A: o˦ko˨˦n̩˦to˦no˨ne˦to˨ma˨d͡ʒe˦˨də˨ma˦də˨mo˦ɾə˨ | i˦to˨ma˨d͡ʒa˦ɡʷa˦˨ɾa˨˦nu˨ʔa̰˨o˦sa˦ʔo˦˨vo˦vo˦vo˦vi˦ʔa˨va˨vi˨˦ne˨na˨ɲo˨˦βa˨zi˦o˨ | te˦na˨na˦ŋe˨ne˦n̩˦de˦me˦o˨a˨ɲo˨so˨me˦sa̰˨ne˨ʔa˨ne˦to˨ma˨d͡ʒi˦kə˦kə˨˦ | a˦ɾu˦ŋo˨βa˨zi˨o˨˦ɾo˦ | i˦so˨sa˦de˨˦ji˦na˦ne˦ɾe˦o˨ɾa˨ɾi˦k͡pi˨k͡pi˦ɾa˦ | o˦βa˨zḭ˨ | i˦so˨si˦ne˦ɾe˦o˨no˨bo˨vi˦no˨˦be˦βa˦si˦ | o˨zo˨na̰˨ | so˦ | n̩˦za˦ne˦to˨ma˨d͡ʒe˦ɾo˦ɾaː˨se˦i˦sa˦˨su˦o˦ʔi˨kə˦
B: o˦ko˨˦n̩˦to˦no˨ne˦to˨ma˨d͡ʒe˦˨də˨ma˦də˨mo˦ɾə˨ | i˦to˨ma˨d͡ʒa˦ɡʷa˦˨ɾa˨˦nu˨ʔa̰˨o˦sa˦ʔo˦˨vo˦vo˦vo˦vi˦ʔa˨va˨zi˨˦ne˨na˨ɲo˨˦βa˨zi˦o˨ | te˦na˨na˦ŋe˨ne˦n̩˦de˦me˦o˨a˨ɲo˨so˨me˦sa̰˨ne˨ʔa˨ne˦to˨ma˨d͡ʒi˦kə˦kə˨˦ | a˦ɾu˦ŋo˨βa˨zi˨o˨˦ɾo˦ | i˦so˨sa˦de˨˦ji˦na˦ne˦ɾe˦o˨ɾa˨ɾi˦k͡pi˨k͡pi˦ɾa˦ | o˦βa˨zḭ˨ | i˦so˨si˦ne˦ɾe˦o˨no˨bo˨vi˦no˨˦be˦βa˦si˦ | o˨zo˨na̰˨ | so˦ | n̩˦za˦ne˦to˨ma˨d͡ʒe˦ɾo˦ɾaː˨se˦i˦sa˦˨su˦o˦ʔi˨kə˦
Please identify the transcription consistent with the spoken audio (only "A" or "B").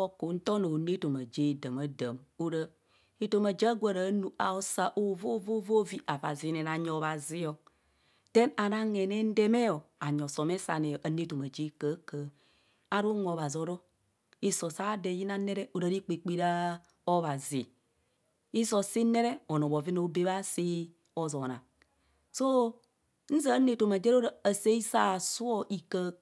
B